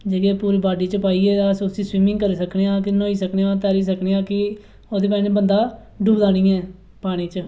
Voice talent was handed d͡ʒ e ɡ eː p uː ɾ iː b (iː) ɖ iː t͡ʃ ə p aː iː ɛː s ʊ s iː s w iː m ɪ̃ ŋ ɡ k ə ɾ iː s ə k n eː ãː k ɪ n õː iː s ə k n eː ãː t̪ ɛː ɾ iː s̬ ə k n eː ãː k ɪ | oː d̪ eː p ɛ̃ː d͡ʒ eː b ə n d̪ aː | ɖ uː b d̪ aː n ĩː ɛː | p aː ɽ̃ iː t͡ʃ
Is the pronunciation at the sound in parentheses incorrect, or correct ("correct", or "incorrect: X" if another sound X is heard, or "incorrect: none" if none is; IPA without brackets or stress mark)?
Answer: incorrect: aː